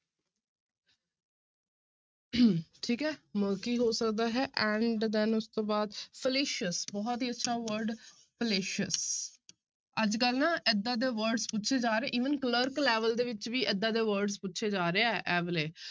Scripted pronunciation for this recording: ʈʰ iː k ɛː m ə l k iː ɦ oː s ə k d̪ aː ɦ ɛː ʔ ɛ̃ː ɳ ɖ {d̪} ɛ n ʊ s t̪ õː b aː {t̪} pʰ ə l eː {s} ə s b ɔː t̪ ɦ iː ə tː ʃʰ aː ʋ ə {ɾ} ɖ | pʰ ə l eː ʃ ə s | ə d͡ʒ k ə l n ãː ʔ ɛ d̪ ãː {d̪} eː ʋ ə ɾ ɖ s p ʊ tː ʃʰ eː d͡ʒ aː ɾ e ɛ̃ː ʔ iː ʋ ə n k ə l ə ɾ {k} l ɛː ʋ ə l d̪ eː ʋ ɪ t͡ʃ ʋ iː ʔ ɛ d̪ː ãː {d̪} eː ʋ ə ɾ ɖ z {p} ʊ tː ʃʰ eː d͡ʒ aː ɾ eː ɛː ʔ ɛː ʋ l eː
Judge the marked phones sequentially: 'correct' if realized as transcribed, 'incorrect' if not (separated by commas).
correct, incorrect, incorrect, correct, correct, correct, correct, correct